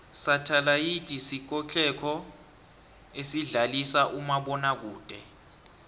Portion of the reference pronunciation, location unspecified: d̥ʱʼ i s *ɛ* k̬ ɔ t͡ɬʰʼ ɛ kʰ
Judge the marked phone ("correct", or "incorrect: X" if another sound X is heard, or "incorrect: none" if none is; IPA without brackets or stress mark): incorrect: i